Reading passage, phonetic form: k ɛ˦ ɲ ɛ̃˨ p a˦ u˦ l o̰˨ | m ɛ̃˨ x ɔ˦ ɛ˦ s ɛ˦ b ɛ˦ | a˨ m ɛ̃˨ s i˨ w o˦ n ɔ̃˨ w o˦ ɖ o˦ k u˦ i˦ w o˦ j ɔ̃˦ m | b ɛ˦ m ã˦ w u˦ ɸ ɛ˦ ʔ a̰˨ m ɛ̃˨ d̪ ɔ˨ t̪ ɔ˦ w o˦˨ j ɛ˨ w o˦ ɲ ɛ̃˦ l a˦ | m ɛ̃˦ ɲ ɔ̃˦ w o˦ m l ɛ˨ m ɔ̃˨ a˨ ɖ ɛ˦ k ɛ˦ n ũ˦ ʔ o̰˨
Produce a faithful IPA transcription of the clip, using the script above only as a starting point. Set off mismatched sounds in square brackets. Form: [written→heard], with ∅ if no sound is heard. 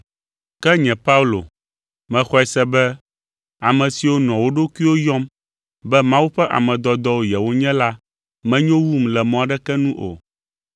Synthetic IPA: k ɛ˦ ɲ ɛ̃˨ p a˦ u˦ l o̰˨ | m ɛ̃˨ x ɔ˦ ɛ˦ s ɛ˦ b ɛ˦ | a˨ m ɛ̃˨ s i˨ w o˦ n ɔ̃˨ w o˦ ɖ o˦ k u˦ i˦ w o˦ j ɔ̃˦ m | b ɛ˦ m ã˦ w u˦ ɸ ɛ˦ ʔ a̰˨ m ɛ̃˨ d̪ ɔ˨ [t̪→d̪] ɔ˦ w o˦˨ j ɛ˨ w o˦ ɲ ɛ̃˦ l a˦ | m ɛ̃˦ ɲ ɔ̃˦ w [o˦→u˦] m l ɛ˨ m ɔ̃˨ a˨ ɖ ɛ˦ k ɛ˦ n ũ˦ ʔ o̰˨